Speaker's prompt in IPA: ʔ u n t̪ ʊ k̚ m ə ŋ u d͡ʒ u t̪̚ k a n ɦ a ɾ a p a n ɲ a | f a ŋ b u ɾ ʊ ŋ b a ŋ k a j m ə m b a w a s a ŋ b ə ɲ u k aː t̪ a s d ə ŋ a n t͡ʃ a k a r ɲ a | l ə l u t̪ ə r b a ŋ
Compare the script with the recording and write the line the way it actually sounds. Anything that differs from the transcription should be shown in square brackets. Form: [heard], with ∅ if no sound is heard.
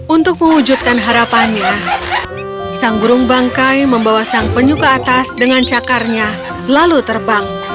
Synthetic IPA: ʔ u n t̪ ʊ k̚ m ə ŋ u d͡ʒ u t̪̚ k a n ɦ a ɾ a p a n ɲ a | [s] a ŋ b u ɾ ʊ ŋ b a ŋ k a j m ə m b a w a s a ŋ [p] ə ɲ u k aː t̪ a s d ə ŋ a n t͡ʃ a k a r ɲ a | l [a] l u t̪ ə r b a ŋ